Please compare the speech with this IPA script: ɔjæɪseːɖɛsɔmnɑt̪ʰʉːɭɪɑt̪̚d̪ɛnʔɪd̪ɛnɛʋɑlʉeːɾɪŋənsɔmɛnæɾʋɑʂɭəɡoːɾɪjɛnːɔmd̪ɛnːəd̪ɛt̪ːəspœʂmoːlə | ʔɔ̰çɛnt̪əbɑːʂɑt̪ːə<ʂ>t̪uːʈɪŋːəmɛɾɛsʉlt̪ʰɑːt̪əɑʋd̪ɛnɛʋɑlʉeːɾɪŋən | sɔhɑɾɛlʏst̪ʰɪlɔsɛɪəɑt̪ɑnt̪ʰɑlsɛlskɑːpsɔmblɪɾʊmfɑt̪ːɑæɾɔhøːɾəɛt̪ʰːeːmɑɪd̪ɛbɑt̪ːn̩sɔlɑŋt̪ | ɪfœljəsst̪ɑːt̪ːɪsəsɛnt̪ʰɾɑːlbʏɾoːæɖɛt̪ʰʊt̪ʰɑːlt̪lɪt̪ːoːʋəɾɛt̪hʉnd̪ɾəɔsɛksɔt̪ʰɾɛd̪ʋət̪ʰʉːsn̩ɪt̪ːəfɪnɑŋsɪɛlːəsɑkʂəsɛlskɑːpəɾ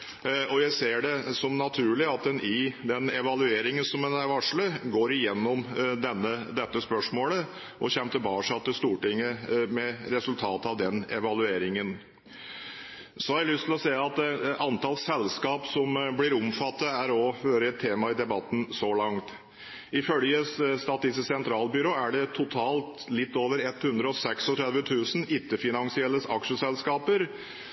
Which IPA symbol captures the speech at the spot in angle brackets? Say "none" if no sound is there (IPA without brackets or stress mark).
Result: s